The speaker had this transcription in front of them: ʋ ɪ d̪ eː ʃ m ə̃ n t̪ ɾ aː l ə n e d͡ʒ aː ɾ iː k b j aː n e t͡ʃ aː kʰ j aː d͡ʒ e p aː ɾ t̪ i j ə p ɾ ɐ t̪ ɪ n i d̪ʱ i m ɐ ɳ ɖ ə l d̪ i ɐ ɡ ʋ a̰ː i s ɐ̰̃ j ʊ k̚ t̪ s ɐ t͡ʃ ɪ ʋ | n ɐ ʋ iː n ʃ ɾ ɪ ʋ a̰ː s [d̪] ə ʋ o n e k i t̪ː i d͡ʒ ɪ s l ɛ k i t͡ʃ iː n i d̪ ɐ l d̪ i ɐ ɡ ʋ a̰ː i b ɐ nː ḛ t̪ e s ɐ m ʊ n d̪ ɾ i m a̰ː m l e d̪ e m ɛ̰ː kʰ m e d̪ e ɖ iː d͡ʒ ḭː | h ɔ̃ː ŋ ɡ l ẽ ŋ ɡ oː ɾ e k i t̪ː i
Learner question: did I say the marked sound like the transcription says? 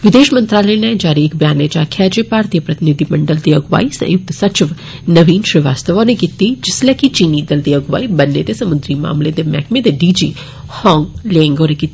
no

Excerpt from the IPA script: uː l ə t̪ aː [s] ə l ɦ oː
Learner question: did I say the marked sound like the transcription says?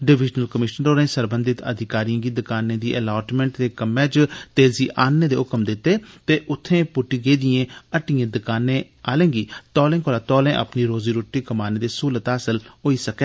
yes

